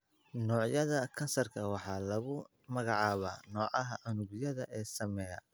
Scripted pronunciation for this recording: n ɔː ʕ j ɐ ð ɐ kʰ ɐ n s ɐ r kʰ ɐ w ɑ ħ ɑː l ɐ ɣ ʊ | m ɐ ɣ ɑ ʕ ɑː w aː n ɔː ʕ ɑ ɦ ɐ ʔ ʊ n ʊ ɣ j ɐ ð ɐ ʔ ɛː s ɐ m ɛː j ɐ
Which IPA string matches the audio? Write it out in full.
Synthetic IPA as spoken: n ɔː ʕ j ɐ ð ɐ kʰ ɐ n s ɐ r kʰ ɐ w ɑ ħ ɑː l ɐ ɣ ʊ | m ɐ ɣ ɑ ʕ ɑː β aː n ɔː ʕ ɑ ɦ ɐ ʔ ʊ n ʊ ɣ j ɐ ð ɐ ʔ ɛː s ɐ m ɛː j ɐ

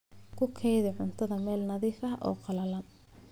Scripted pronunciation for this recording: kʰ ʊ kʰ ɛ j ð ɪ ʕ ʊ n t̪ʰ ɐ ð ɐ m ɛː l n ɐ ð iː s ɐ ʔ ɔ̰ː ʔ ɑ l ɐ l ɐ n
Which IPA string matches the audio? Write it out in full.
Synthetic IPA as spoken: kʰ ʊ kʰ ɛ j ð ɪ ʕ ʊ n t̪ʰ ɐ ð ɐ m ɛː l n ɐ ð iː f ɐ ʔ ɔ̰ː q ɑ l ɐ l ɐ n

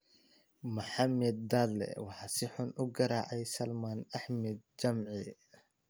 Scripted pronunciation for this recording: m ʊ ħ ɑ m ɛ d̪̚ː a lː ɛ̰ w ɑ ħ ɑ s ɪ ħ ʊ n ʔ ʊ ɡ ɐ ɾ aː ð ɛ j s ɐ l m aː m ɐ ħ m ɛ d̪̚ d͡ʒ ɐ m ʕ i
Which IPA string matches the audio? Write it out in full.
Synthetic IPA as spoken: m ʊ ħ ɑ m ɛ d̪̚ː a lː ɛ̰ w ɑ ħ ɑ s ɪ ħ ʊ n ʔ ʊ ɡ ɐ ɾ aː ʕ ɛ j s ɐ l m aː n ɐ ħ m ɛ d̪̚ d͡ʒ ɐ m ʕ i

